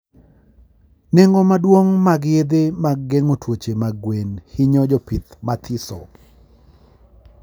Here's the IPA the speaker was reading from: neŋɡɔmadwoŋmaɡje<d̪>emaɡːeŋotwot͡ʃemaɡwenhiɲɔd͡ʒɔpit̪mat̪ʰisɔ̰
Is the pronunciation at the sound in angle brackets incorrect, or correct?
correct